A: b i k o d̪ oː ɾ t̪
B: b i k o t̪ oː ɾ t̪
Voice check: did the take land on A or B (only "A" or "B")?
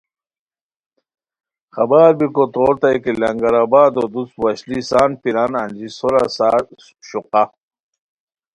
B